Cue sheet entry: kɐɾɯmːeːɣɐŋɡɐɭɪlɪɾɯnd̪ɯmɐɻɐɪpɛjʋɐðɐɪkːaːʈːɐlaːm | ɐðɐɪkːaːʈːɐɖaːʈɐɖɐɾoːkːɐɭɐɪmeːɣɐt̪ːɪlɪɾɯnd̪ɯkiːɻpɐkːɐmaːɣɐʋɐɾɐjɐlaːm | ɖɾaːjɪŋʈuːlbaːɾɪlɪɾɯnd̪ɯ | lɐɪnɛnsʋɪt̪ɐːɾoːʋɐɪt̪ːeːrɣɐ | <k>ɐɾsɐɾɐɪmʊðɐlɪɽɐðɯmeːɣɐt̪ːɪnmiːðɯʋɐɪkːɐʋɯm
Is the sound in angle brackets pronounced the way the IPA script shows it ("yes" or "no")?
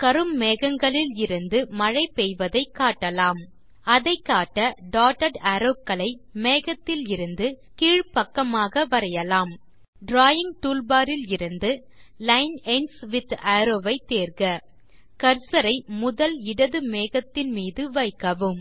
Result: yes